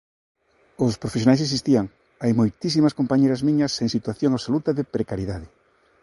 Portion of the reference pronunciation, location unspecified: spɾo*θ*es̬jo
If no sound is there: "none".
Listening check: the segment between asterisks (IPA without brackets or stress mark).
f